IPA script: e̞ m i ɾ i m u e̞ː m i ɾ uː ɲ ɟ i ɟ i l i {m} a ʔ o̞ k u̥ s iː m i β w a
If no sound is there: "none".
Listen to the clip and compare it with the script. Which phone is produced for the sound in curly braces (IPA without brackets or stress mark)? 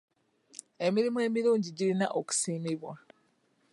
n